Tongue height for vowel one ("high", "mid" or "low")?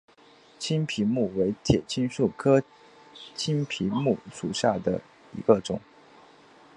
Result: high